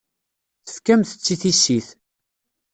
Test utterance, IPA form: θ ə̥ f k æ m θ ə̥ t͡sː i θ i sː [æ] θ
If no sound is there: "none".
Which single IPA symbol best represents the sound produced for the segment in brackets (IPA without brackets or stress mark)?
i